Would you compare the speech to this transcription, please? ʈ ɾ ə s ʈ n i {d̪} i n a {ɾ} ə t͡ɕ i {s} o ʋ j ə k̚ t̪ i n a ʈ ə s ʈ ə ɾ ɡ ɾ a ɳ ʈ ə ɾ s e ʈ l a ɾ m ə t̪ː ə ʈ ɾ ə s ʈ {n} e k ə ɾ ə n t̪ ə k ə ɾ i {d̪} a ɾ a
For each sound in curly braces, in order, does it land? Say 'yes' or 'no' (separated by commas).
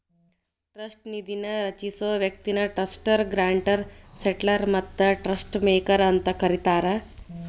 yes, yes, yes, no, no